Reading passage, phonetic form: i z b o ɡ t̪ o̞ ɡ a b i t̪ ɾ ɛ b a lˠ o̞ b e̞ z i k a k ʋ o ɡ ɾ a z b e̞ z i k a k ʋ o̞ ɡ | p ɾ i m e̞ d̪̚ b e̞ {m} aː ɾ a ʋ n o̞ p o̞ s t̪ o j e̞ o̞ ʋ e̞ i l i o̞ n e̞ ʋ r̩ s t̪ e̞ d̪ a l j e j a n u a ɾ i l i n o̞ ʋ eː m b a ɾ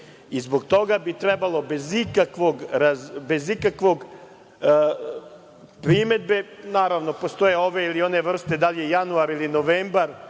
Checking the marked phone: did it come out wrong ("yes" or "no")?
yes